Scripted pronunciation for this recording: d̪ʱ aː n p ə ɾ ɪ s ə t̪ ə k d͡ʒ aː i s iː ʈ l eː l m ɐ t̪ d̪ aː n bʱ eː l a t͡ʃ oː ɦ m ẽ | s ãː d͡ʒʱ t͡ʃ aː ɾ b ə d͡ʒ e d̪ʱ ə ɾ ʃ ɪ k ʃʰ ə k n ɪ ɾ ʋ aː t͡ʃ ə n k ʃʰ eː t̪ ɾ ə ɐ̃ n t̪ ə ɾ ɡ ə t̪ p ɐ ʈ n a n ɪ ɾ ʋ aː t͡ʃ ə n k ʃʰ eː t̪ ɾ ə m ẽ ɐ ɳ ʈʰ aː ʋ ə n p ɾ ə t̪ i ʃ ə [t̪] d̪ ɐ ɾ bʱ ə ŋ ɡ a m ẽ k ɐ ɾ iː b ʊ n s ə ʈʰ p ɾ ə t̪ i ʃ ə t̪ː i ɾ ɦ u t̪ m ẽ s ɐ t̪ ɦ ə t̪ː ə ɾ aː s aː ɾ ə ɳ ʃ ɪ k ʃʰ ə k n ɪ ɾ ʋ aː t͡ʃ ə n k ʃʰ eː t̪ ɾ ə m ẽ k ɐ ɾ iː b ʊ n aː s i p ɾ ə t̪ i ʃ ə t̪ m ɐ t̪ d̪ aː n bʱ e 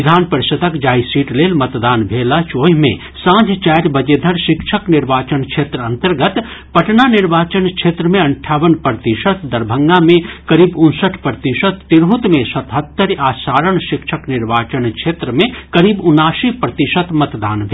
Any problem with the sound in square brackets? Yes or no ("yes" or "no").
no